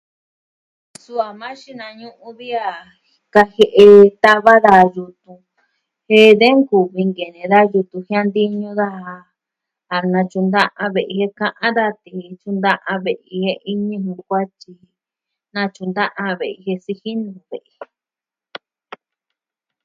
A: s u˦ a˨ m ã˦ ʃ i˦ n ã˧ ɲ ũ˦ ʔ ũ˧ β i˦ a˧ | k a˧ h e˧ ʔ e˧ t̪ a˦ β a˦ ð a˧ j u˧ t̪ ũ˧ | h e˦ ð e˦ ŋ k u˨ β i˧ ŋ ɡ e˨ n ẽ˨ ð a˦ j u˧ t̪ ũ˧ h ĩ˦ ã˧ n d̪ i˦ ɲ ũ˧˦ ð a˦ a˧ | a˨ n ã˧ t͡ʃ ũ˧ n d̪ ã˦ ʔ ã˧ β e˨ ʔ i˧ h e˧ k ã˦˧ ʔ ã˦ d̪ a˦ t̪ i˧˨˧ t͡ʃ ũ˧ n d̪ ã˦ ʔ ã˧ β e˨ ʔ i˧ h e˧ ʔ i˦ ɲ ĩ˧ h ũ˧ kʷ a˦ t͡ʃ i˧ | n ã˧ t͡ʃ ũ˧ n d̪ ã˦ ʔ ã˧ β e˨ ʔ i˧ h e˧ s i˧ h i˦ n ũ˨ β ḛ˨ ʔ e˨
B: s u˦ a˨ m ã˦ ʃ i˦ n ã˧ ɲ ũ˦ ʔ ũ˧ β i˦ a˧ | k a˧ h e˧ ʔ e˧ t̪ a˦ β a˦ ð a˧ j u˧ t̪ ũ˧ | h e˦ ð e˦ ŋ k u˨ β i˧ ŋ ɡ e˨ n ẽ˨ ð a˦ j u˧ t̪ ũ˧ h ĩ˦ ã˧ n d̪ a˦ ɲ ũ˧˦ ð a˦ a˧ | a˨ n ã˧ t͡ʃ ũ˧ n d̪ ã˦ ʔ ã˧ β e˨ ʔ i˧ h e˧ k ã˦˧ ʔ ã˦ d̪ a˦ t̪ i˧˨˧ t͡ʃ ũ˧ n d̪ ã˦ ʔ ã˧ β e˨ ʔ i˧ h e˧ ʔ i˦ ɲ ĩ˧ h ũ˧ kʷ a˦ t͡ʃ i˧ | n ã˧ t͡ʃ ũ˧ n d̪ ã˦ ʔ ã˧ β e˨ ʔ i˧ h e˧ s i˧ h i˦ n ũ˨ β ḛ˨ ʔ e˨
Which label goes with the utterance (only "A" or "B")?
A